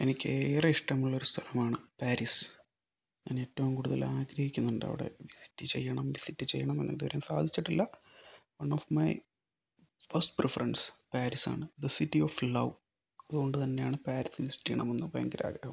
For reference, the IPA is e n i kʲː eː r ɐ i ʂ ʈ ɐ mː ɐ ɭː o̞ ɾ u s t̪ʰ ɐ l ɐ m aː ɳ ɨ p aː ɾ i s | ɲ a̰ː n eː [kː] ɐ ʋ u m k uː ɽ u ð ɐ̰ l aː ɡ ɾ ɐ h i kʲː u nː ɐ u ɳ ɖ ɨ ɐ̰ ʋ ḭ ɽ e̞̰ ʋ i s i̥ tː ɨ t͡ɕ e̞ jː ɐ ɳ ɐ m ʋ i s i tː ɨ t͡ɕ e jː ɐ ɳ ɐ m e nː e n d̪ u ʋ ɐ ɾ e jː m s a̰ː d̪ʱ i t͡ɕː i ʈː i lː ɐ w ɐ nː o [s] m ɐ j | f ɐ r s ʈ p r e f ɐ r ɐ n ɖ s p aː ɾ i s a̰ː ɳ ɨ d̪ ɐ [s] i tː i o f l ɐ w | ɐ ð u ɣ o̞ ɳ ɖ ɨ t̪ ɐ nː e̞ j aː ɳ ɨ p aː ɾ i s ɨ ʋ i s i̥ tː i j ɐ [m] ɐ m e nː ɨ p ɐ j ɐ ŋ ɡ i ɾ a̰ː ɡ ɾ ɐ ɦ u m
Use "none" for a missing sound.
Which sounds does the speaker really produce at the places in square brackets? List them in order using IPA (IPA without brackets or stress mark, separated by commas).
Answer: tː, f, s, ɳ